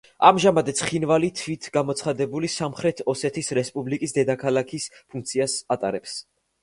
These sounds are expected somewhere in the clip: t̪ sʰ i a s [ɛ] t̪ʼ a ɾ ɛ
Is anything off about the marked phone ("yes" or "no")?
yes